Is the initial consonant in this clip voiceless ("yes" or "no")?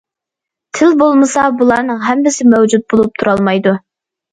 yes